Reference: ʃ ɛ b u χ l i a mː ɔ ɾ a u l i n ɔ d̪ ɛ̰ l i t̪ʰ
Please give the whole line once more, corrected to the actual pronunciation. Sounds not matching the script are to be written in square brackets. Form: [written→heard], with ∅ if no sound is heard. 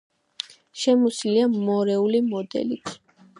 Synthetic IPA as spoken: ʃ ɛ [b→m] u [χ→s] l i a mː ɔ ɾ [a→ɛ] u l i [n→m] ɔ d̪ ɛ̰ l i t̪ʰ